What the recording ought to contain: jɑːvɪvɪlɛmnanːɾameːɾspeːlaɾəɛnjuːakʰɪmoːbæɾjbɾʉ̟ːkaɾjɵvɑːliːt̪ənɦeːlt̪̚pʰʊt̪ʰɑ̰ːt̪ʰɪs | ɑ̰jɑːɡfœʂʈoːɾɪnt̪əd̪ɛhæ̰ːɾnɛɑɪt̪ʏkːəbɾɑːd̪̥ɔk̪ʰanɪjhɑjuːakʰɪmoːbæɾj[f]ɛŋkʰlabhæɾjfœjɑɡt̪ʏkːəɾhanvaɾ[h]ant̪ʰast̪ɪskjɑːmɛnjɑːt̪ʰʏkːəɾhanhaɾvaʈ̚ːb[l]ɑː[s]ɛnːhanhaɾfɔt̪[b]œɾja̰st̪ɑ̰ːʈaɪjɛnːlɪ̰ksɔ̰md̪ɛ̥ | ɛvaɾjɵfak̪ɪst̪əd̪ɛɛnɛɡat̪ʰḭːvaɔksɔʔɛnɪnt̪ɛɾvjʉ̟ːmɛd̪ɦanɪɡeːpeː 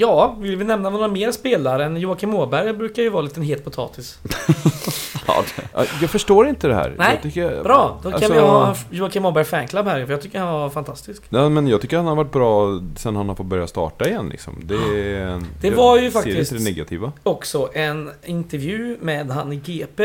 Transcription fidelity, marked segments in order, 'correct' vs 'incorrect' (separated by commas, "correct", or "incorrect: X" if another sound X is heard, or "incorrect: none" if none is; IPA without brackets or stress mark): correct, incorrect: f, incorrect: ɾ, correct, correct